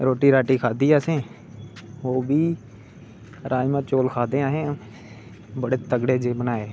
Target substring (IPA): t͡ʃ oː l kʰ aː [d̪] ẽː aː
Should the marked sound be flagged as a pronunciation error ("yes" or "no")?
no